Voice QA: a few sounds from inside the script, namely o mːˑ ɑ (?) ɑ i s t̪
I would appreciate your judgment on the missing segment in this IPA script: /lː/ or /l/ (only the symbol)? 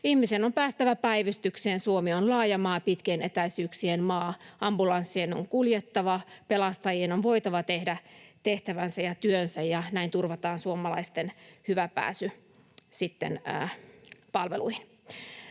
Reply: l